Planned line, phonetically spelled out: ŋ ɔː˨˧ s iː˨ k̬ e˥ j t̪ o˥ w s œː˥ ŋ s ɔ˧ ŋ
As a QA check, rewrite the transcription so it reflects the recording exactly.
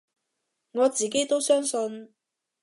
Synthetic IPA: ŋ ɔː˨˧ t͡s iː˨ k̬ e˥ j t̪ o˥ w s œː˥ ŋ s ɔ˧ n

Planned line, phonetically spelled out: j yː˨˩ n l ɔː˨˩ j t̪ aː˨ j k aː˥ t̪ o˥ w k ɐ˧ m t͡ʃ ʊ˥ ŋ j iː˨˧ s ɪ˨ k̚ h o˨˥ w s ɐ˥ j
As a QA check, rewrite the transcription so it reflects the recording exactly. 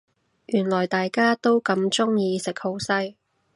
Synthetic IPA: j yː˨˩ n l ɔː˨˩ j t̪ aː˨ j k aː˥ t̪ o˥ w k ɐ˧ m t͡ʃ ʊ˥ ŋ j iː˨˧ s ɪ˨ k̚ h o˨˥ w s ɐ˥ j

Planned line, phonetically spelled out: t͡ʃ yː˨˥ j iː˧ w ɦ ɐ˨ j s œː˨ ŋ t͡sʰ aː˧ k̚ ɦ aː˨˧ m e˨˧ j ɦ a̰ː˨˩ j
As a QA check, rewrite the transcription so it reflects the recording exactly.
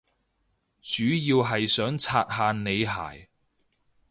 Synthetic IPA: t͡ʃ yː˨˥ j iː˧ w ɦ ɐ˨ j s œː˨˥ ŋ t͡sʰ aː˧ t̚ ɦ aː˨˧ n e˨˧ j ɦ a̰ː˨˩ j

